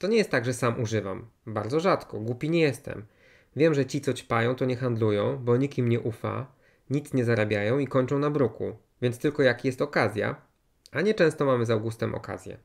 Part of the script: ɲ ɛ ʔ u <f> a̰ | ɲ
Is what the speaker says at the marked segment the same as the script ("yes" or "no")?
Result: yes